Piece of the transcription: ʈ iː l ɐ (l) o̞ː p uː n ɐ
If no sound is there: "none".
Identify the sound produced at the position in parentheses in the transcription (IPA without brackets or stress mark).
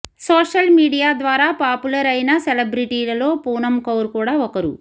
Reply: l